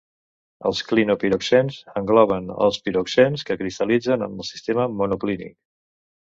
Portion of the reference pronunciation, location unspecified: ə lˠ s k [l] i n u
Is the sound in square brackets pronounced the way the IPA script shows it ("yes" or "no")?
yes